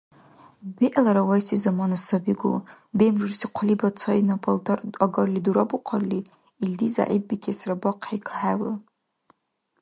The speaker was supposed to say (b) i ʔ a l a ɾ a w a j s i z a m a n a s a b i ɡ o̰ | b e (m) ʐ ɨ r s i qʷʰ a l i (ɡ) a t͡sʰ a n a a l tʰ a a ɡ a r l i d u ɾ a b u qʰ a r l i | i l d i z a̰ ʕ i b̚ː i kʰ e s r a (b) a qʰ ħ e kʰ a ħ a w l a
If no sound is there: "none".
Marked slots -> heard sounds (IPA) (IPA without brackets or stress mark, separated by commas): b, m, b, b